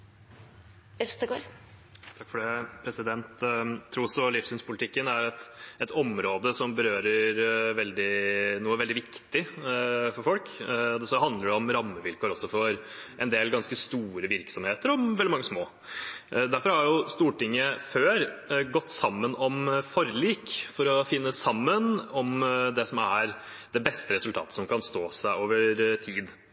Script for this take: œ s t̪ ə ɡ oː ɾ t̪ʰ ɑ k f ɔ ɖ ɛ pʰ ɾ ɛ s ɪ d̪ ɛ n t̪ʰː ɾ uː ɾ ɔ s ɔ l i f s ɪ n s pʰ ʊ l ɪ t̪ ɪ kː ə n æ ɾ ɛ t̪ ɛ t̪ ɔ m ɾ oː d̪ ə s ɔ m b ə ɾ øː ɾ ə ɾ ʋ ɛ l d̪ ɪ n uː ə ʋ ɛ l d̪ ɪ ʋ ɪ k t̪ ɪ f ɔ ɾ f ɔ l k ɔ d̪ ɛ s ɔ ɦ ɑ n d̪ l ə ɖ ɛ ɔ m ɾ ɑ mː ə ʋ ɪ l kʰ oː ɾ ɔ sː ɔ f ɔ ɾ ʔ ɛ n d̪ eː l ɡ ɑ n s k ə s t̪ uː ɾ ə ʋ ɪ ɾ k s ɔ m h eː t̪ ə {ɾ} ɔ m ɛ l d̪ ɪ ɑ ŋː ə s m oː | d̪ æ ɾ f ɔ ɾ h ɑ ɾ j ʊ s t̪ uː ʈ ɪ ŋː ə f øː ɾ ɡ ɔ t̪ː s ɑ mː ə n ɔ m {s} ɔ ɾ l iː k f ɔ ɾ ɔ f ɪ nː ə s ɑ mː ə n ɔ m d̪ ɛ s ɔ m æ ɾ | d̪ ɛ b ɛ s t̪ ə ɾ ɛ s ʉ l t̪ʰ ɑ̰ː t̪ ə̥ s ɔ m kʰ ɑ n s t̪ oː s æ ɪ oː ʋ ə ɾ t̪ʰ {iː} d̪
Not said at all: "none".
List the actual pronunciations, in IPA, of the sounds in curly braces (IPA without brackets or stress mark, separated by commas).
ɾ, f, iː